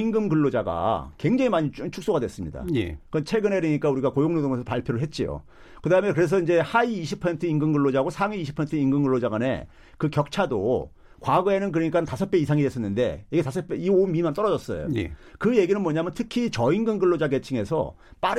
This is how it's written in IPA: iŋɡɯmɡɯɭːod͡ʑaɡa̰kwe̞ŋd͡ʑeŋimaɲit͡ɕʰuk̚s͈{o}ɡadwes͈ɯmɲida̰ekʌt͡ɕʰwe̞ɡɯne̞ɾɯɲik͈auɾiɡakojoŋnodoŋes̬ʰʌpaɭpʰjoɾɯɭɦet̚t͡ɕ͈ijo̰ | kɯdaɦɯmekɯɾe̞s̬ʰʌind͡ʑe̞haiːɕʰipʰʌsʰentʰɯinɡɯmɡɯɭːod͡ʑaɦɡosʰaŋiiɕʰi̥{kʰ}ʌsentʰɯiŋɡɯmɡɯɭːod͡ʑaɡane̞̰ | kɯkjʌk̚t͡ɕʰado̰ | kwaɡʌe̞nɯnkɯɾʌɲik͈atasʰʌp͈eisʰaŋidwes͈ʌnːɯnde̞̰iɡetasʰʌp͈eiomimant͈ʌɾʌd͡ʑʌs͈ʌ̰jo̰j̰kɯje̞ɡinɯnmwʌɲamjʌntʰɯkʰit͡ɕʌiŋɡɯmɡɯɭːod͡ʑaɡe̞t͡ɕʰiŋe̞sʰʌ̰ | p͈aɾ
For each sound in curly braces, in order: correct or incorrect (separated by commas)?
correct, incorrect